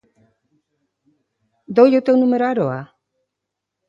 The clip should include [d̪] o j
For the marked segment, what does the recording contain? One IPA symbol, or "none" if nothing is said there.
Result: d̪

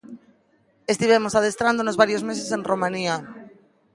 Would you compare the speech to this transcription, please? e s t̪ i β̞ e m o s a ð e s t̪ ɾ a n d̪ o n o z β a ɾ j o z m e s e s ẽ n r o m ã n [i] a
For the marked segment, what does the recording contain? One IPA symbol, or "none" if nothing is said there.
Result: i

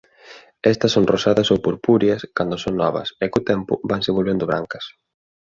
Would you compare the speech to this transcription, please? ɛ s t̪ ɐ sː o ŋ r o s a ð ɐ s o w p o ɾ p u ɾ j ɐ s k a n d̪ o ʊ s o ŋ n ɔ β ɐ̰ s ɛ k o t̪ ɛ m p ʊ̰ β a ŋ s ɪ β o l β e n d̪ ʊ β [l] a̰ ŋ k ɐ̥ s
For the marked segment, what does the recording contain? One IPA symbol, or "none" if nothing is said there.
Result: ɾ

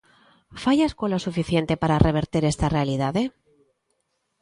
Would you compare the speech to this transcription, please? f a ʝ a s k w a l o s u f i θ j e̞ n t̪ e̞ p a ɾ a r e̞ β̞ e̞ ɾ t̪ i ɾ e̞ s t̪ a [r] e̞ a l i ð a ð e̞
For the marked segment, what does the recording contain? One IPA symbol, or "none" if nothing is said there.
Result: r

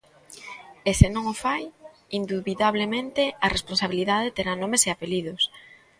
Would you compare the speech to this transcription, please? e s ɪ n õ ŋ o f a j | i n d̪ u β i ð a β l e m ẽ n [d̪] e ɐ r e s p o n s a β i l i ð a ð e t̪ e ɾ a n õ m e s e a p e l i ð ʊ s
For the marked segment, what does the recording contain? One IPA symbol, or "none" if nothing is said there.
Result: t̪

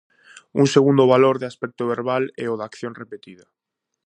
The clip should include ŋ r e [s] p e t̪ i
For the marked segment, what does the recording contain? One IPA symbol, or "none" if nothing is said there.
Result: none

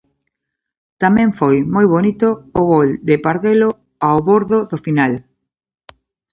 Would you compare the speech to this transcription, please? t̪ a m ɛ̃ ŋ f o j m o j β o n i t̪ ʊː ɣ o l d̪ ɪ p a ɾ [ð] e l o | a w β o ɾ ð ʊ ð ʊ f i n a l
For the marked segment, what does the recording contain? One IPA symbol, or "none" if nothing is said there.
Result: ð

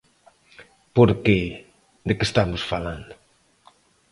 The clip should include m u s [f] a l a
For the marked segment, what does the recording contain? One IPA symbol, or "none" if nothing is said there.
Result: f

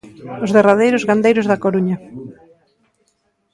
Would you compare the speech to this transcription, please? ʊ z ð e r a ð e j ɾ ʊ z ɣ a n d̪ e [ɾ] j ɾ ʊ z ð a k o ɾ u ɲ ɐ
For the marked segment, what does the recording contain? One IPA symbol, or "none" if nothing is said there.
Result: none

